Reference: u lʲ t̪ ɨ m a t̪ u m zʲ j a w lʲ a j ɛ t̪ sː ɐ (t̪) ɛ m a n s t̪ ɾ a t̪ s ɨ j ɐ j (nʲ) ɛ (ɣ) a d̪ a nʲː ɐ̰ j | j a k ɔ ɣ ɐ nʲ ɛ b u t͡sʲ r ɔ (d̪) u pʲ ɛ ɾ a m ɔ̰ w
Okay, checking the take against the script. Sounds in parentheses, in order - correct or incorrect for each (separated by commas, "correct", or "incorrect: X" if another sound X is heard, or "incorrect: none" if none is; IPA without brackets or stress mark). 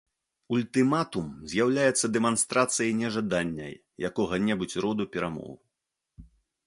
incorrect: d̪, correct, incorrect: ʐ, correct